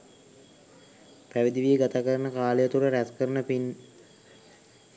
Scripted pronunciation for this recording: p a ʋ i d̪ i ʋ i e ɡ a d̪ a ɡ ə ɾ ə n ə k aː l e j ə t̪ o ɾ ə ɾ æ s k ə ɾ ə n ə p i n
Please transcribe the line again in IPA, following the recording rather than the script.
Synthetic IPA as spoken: p æ ʋ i d̪ i ʋ i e ɡ a t̪ a k ə ɾ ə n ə k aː l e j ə t̪ u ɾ ə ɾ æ s k ə ɾ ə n ə p i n